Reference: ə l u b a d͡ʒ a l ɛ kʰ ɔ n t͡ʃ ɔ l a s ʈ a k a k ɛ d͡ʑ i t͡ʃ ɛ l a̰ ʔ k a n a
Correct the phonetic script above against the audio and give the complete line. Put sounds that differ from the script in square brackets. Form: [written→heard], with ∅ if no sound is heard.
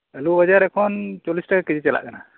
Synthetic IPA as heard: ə l u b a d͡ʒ a [l→ɾ] ɛ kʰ ɔ n t͡ʃ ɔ l [a→i] s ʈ a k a k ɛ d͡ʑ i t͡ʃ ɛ l a̰ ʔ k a n a